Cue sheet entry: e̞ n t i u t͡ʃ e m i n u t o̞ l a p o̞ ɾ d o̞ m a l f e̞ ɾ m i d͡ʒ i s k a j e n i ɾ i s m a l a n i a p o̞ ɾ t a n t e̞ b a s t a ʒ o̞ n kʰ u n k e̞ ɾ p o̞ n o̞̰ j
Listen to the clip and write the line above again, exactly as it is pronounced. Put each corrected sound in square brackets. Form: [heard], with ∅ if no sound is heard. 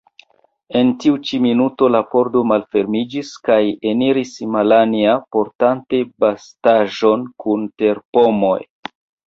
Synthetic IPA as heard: e̞ n t i u t͡ʃ [i] m i n u t o̞ l a p o̞ ɾ d o̞ m a l f e̞ ɾ m i d͡ʒ i s k a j e n i ɾ i s m a l a n i a p o̞ ɾ t a n t e̞ b a s t a ʒ o̞ n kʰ u n [t] e̞ ɾ p o̞ [m] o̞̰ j